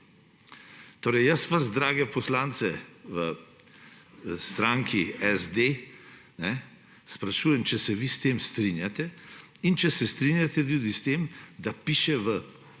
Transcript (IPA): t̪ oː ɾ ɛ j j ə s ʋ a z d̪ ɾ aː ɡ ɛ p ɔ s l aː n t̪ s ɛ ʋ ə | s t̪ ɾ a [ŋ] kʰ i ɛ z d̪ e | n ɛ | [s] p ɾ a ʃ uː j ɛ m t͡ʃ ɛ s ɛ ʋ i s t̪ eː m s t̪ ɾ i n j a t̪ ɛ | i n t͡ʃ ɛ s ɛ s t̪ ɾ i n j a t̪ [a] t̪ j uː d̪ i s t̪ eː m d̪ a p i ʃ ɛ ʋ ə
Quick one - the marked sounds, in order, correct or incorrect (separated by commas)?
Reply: correct, correct, incorrect